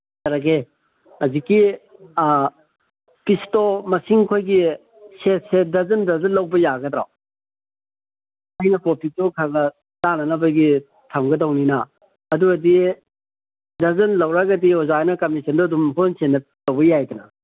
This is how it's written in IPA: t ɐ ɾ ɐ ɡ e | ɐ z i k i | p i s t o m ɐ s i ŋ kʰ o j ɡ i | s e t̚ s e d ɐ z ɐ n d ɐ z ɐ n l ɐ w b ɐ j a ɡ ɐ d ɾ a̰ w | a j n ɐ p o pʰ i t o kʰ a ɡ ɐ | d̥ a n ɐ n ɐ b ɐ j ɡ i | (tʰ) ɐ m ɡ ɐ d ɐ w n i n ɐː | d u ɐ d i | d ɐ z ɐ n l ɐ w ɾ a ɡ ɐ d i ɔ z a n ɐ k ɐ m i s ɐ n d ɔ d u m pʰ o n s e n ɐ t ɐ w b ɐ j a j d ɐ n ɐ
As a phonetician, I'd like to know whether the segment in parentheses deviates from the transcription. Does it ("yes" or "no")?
no